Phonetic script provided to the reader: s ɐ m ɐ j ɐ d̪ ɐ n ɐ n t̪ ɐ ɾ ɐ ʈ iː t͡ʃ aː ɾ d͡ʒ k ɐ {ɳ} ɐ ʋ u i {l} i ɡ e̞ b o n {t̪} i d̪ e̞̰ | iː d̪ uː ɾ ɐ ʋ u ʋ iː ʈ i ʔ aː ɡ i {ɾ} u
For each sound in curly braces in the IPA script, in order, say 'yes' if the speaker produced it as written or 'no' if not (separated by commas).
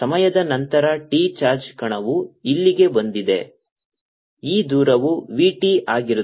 yes, no, no, yes